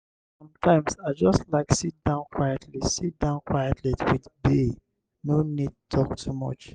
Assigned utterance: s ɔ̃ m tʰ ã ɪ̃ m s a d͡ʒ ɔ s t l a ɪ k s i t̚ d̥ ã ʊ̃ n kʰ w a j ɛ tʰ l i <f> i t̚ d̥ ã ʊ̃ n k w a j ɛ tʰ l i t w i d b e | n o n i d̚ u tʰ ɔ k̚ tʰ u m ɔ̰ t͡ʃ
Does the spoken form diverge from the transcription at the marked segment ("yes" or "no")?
yes